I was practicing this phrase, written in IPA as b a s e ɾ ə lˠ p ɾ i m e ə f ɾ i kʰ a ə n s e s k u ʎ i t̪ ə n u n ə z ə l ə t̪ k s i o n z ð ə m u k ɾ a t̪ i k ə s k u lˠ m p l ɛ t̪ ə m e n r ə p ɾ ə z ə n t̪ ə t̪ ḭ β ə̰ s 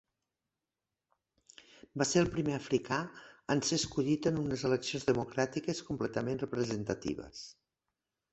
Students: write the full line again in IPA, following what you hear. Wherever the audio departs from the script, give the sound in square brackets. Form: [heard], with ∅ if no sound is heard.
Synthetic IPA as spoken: b a s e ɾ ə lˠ p ɾ i m e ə f ɾ i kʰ a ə n s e s k u ʎ i t̪ ə n u n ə z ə l ə [∅] k s i o n z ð ə m u k ɾ a t̪ i k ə s k u [∅] m p l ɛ t̪ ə m e n r ə p ɾ ə z ə n t̪ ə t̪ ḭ β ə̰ s